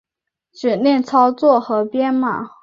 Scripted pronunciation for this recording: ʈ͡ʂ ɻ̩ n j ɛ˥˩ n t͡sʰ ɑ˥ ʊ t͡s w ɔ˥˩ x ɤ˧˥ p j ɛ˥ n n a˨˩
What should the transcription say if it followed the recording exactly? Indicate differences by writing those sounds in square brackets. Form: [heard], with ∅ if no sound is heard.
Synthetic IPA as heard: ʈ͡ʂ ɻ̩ n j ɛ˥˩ n t͡sʰ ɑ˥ ʊ t͡s w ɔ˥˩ x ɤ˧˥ p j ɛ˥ n [m] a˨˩